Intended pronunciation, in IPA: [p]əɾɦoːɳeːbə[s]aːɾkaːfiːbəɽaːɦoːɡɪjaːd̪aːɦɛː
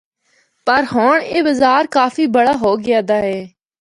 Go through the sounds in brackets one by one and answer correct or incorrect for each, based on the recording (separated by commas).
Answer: correct, incorrect